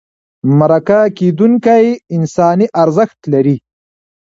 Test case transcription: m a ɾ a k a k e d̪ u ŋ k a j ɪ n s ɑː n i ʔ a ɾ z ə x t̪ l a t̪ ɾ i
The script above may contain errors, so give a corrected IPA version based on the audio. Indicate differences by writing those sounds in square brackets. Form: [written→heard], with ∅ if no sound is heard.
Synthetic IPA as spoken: m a ɾ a k a k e d̪ u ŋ k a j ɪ n s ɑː n i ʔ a ɾ z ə x t̪ l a [t̪→∅] ɾ i